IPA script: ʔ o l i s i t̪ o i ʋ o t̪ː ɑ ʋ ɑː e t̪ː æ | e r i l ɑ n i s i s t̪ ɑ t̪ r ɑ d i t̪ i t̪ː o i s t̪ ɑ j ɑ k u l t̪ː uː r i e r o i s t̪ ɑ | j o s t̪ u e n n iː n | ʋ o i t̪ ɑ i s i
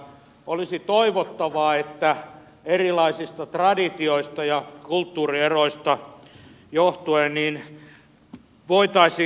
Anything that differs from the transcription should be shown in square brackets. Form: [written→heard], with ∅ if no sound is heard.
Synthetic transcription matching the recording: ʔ o l i s i t̪ o i ʋ o t̪ː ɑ ʋ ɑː e t̪ː æ | e r i l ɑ [n→∅] i s i s t̪ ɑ t̪ r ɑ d i t̪ i [t̪ː→∅] o i s t̪ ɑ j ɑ k u l t̪ː uː r i e r o i s t̪ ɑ | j o [s→h] t̪ u e n n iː n | ʋ o i t̪ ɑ i s i